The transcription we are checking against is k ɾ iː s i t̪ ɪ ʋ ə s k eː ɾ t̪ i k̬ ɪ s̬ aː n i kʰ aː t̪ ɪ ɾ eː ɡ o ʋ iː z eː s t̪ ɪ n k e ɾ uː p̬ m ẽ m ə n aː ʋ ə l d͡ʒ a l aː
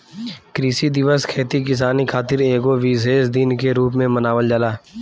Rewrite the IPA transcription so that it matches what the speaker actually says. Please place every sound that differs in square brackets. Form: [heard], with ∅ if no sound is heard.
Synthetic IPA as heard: k ɾ iː s i [d̪] ɪ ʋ ə s [kʰ] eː [∅] t̪ i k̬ ɪ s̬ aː n i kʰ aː t̪ ɪ ɾ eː ɡ o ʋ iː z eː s [d̪] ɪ n k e ɾ uː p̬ m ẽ m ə n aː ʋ ə l d͡ʒ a l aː